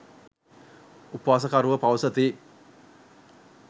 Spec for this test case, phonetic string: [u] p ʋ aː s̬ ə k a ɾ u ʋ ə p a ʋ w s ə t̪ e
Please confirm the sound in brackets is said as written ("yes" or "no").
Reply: yes